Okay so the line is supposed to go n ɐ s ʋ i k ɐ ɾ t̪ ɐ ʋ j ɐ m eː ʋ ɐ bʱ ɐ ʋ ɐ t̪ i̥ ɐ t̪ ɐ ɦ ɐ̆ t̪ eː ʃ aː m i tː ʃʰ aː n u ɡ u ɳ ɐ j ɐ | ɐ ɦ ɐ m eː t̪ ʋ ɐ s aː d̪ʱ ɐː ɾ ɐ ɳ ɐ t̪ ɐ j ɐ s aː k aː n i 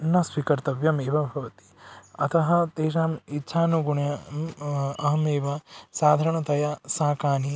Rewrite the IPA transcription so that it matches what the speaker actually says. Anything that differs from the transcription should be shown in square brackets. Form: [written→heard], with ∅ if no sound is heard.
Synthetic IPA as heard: n ɐ s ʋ i k ɐ ɾ t̪ ɐ ʋ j ɐ m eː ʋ ɐ bʱ ɐ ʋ ɐ t̪ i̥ ɐ t̪ ɐ ɦ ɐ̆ t̪ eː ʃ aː m i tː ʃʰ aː n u ɡ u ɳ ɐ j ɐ | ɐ ɦ ɐ m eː [t̪→∅] ʋ ɐ s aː d̪ʱ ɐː ɾ ɐ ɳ ɐ t̪ ɐ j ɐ s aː k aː n i